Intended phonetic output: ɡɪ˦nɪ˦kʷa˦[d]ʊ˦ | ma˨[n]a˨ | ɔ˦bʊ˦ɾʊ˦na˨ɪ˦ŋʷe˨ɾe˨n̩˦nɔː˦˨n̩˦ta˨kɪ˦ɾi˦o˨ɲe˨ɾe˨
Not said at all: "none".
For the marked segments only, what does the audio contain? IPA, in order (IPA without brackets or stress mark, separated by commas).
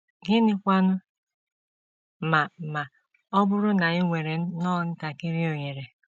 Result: n, m